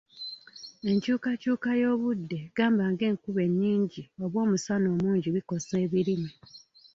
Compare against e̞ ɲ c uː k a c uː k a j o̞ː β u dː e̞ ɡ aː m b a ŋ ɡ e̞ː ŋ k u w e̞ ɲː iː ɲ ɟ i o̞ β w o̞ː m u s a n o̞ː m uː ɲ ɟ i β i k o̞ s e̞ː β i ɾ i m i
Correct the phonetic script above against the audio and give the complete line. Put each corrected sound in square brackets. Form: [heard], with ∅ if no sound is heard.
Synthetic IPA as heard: e̞ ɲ c uː k a c uː k a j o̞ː β u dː e̞ ɡ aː m b a ŋ ɡ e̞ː ŋ k u [β] e̞ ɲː iː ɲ ɟ i o̞ β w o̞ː m u s a n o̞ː m uː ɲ ɟ i β i k o̞ s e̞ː β i ɾ i m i